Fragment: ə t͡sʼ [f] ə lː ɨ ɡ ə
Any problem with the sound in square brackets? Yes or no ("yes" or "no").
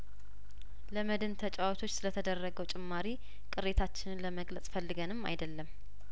no